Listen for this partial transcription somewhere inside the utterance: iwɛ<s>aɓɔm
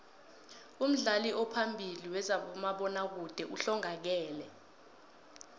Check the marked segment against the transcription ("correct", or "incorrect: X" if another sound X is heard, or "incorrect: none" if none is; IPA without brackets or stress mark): incorrect: z